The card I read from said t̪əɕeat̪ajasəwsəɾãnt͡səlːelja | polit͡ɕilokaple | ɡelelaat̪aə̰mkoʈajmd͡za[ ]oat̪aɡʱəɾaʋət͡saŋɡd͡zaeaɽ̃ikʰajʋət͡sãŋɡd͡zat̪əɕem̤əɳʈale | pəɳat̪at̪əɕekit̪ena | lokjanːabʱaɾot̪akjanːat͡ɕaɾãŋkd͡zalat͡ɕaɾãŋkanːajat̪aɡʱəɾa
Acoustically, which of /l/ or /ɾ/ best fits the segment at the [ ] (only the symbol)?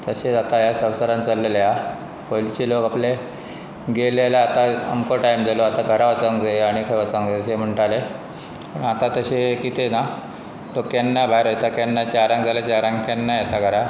l